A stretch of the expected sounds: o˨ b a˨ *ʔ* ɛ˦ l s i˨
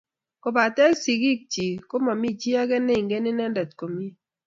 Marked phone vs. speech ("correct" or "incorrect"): incorrect